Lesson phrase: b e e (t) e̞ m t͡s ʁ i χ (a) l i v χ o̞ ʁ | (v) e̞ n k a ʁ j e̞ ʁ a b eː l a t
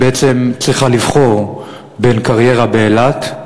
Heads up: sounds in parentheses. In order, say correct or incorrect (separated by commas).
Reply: incorrect, correct, incorrect